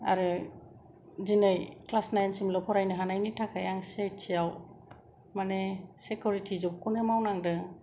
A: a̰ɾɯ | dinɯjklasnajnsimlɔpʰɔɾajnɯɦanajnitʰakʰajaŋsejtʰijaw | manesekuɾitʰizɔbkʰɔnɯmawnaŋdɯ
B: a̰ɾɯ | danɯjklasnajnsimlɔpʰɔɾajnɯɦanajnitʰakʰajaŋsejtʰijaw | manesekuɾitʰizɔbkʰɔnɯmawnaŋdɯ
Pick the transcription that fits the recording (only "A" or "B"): A